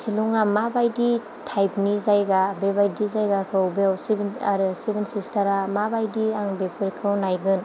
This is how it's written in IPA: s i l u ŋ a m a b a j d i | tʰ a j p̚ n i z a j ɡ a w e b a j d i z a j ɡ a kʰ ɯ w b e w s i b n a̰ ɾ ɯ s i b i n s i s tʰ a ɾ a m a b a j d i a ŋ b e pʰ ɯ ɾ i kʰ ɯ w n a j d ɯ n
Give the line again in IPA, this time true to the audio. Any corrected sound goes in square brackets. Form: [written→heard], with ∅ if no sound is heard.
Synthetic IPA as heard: s i l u ŋ a m a b a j d i | tʰ a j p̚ n i z a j ɡ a [w→b] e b a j d i z a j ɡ a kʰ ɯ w b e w s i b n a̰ ɾ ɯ s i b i n s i s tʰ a ɾ a m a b a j d i a ŋ b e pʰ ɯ ɾ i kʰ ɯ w n a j [d→ɡ] ɯ n